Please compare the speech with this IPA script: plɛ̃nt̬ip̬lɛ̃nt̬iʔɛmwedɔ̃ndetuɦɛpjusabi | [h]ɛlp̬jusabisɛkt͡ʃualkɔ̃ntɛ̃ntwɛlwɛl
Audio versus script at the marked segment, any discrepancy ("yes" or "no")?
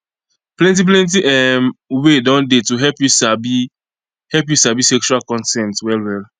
no